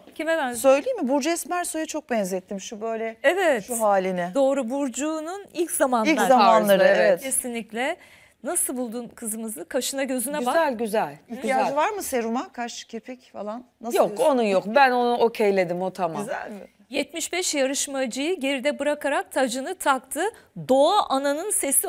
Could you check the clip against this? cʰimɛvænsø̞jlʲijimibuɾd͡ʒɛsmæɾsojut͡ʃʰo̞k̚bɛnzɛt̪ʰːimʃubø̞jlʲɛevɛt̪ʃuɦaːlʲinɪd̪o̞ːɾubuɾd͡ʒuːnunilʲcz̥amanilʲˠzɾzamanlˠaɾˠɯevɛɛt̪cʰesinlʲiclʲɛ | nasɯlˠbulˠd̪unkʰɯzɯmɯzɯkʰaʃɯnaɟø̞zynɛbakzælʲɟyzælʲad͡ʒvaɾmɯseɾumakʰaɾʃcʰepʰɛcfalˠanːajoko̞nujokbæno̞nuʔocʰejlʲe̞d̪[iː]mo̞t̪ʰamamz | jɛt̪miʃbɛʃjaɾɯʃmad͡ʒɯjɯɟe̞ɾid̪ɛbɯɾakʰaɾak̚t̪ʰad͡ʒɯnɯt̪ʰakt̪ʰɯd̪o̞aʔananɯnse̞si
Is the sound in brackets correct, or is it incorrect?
incorrect